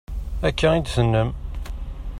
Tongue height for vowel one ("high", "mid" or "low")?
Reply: low